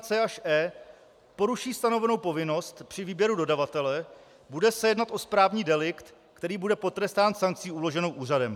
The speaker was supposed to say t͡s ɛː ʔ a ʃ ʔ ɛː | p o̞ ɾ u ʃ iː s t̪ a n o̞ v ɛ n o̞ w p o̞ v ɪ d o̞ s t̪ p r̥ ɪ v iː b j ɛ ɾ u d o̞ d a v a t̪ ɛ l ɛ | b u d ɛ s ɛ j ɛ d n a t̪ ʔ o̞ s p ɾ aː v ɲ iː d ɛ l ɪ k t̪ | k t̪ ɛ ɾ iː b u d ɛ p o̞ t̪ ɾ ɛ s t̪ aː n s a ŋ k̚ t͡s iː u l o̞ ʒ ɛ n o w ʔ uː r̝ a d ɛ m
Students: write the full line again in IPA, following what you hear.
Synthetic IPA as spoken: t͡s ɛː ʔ a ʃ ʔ ɛː | p o̞ ɾ u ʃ iː s t̪ a n o̞ v ɛ n o̞ w p o̞ v ɪ n o̞ s t̪ p r̥ ɪ v iː b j ɛ ɾ u d o̞ d a v a t̪ ɛ l ɛ | b u d ɛ s ɛ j ɛ d n a t̪ ʔ o̞ s p ɾ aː v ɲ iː d ɛ l ɪ k t̪ | k t̪ ɛ ɾ iː b u d ɛ p o̞ t̪ ɾ ɛ s t̪ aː n s a ŋ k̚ t͡s iː u l o̞ ʒ ɛ n o w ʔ uː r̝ a d ɛ m